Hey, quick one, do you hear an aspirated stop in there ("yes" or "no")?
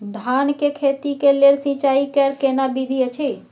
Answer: yes